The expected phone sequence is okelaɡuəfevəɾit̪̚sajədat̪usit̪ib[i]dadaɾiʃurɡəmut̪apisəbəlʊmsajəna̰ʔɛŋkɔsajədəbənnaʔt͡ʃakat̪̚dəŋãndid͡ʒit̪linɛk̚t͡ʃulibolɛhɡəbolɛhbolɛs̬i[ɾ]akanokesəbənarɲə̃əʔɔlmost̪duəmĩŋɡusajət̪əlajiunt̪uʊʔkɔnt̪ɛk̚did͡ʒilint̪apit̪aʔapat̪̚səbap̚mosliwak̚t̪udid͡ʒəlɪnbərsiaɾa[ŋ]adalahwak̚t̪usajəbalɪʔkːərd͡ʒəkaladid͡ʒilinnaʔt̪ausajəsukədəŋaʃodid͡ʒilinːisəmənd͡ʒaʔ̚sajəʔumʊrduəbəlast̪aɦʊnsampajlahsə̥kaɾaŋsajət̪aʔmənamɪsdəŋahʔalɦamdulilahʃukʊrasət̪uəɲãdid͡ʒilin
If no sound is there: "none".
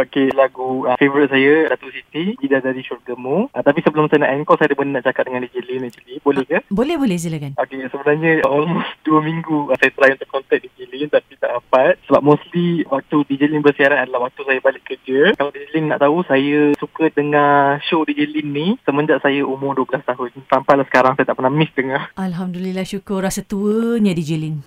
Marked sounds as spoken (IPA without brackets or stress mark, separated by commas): i, l, n